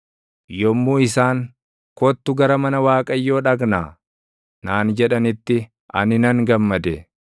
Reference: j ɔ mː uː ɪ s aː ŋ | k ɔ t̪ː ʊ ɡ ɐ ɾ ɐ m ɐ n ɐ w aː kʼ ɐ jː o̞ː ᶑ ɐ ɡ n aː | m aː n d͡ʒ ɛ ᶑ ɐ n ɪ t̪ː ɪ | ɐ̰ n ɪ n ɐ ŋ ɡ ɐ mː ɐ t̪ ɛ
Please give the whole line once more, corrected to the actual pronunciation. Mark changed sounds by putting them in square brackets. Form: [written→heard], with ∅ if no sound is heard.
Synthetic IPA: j ɔ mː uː ɪ s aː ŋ | k ɔ t̪ː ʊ ɡ ɐ ɾ ɐ m ɐ n ɐ w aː kʼ ɐ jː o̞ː ᶑ ɐ ɡ n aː | [m→n] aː n d͡ʒ ɛ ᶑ ɐ n ɪ t̪ː ɪ | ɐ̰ n ɪ n ɐ ŋ ɡ ɐ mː ɐ [t̪→d̪] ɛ